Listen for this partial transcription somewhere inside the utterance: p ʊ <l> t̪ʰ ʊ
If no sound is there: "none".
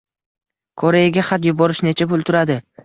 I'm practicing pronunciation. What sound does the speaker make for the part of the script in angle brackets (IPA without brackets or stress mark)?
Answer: l